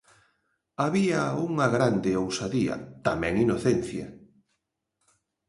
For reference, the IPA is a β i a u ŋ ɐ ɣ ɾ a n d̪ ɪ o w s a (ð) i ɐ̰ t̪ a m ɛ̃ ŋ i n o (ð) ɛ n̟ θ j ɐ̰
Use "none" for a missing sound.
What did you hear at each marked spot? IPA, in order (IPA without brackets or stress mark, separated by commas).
ð, θ